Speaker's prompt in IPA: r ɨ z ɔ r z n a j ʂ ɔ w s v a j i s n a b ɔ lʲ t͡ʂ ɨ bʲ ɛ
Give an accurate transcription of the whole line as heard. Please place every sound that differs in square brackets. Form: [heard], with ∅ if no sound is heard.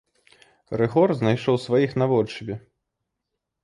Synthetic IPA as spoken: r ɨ [ɣ] ɔ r z n a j ʂ ɔ w s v a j i [x] n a [v] ɔ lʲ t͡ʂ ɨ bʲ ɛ